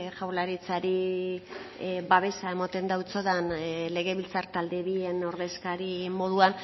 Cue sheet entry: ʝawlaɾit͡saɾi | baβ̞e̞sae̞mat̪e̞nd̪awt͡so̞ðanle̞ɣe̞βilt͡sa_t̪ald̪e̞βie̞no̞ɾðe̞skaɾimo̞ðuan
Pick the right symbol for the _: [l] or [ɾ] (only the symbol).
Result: ɾ